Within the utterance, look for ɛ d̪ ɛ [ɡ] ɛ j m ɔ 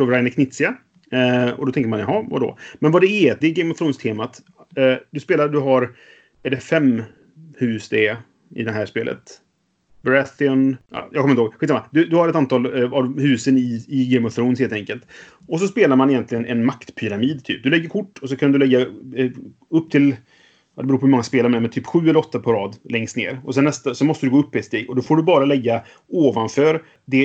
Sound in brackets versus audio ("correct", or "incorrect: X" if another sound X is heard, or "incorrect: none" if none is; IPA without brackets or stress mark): correct